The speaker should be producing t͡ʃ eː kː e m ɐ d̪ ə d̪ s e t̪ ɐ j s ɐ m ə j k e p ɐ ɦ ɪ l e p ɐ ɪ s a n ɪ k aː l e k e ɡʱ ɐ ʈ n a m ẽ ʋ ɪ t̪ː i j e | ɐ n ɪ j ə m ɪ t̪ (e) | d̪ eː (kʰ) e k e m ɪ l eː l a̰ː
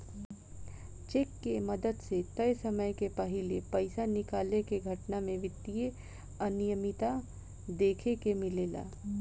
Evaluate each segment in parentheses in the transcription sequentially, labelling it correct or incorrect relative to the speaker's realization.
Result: incorrect: a, correct

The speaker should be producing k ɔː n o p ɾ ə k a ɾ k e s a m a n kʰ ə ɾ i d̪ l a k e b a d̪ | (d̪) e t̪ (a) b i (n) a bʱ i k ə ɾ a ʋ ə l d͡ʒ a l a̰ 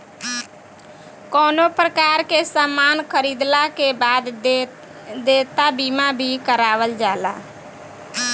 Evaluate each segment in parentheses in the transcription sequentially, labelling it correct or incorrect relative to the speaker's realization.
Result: correct, correct, incorrect: m

